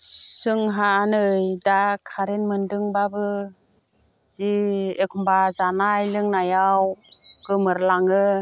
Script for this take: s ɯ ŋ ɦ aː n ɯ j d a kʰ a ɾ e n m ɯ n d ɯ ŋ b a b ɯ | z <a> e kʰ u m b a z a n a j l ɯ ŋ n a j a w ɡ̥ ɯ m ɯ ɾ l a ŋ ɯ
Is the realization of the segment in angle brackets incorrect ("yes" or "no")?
yes